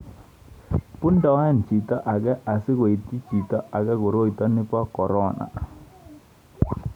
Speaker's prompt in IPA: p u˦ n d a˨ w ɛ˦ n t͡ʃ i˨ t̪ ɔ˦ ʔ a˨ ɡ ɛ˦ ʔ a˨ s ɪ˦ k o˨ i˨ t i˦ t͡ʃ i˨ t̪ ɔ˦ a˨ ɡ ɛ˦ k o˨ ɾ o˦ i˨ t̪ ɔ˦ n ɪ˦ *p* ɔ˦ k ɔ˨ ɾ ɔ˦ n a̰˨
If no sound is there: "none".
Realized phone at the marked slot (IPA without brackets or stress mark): p